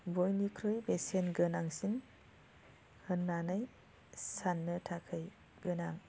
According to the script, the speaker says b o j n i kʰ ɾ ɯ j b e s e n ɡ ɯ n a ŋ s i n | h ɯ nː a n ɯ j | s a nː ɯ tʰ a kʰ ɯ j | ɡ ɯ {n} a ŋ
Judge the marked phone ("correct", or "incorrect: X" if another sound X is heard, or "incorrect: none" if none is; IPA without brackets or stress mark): correct